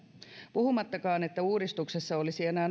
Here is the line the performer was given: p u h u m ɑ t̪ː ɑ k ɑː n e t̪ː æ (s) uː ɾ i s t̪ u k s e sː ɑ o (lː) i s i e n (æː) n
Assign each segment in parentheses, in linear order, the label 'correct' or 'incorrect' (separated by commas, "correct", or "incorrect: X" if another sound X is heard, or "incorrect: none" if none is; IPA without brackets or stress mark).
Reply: incorrect: none, incorrect: l, correct